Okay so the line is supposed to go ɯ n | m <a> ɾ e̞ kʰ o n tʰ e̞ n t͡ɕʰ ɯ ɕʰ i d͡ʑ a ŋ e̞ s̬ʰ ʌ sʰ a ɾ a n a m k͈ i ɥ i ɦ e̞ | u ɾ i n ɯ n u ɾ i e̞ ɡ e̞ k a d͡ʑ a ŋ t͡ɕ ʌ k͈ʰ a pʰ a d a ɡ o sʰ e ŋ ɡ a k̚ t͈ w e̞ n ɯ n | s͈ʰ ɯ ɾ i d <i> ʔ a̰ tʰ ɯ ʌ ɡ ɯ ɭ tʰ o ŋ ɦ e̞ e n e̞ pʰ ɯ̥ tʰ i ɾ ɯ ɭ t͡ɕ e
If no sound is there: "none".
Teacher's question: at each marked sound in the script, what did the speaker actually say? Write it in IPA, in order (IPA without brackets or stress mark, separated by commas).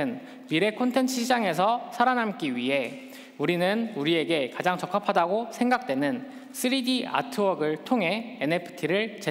i, i